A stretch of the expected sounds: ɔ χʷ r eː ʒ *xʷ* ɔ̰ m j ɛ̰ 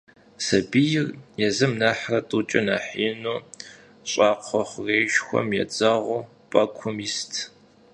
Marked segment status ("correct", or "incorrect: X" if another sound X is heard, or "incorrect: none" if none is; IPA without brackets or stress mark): correct